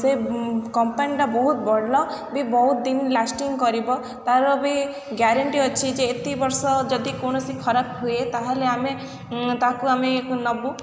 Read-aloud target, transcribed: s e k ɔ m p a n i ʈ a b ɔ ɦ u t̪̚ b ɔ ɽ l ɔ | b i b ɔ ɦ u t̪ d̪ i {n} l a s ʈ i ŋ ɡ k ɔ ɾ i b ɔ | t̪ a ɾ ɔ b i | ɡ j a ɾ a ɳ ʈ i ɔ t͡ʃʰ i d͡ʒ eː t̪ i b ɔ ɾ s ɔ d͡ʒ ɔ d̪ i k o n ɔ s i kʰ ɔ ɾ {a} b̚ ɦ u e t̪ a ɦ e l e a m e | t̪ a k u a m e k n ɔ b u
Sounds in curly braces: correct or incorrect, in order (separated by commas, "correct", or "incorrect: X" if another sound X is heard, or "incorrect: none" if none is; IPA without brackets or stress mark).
correct, correct